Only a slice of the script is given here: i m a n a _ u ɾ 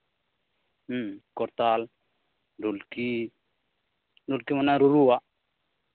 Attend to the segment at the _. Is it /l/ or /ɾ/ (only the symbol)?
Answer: ɾ